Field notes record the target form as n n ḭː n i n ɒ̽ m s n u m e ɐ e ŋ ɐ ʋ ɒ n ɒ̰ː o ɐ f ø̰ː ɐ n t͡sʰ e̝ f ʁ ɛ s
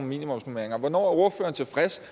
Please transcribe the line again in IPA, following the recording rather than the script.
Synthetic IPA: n m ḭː n i m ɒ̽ m s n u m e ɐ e ŋ ɐ ʋ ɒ n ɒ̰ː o ɐ f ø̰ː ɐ n t͡sʰ e̝ f ʁ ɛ s